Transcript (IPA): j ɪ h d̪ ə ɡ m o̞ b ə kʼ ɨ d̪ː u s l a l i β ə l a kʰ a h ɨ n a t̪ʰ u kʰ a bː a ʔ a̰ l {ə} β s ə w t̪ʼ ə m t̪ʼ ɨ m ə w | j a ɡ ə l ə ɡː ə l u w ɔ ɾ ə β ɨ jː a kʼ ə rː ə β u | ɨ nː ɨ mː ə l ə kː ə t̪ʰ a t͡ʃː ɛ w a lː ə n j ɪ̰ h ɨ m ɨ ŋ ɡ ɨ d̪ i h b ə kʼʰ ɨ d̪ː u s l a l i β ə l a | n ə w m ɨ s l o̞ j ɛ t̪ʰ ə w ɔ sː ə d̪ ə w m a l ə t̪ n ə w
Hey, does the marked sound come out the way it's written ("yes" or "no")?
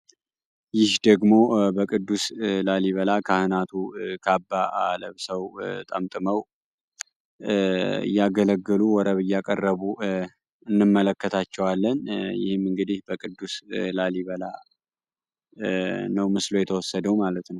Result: yes